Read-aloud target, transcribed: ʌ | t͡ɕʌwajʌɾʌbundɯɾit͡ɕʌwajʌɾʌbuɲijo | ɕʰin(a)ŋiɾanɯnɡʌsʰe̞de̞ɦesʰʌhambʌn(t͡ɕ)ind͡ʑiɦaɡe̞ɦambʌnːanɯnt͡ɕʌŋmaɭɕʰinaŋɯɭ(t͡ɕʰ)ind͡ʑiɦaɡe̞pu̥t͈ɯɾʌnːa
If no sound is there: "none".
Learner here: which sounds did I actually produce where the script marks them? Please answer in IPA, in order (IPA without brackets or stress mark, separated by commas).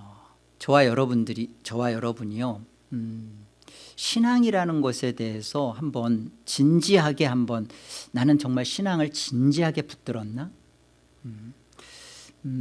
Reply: a, t͡ɕ, t͡ɕ